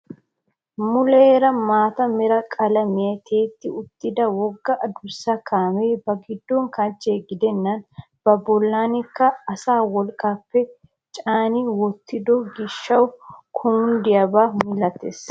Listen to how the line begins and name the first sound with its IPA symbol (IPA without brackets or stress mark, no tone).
m